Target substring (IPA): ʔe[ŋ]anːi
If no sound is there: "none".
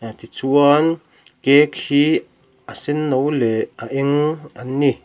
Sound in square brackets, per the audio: ŋ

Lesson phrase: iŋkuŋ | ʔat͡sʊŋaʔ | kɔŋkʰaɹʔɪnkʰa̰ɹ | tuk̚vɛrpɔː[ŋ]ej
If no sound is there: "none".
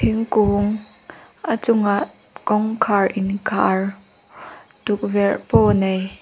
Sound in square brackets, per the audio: n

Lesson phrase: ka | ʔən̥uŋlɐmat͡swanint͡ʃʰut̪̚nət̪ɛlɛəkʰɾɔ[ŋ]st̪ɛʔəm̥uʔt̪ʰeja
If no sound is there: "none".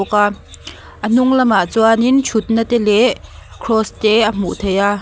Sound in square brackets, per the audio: none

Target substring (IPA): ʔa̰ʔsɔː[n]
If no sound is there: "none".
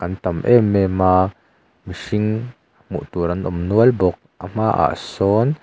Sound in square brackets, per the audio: n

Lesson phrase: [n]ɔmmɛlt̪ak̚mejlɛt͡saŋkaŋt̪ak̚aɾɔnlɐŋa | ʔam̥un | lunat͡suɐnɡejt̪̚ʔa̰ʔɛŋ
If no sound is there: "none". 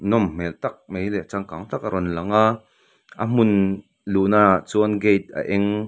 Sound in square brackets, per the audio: n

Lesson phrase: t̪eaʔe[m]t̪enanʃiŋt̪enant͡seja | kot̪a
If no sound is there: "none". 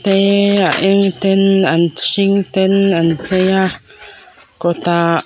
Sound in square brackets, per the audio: ŋ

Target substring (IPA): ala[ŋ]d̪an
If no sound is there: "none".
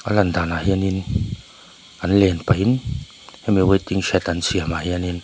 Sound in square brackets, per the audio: n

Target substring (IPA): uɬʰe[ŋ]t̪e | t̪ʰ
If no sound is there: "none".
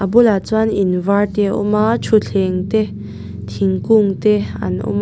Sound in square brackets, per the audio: ŋ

